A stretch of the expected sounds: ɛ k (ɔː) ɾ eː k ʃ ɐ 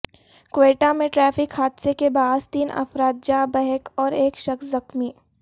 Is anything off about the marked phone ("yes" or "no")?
no